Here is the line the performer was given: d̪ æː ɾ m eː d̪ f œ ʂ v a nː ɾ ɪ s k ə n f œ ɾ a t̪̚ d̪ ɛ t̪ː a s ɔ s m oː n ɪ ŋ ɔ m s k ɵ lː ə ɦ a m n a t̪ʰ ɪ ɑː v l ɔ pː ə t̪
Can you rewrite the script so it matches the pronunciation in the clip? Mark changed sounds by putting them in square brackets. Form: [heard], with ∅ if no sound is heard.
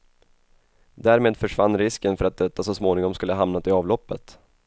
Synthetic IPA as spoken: d̪ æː ɾ m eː d̪ f œ ʂ v a nː ɾ ɪ s k ə n f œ ɾ a t̪̚ d̪ ɛ t̪ː a s ɔ s m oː n ɪ ŋ ɔ m s k ɵ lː ə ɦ a m n a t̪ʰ ɪ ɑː v l ɔ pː ə t̪